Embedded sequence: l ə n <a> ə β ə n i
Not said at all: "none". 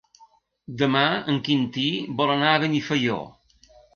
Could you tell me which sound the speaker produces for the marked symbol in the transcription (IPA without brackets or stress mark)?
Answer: a